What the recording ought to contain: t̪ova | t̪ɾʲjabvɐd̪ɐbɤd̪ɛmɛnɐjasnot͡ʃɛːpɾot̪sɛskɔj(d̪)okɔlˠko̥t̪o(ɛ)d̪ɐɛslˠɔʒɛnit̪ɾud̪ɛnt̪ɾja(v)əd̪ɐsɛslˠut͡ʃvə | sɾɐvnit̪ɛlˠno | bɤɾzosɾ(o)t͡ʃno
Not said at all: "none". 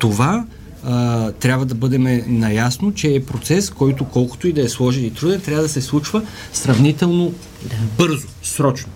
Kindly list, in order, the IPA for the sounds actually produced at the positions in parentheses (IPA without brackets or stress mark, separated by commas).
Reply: t̪, i, v, ɔ